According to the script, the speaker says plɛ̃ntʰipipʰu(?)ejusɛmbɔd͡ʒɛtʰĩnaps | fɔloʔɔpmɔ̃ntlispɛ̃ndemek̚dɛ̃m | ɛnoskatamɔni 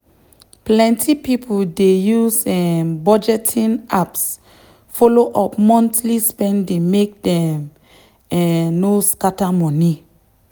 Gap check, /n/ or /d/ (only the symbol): d